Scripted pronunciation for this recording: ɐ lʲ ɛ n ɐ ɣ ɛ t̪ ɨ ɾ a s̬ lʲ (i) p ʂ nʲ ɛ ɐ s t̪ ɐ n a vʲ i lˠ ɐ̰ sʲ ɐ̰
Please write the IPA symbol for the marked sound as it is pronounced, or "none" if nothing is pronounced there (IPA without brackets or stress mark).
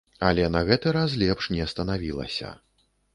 ɛ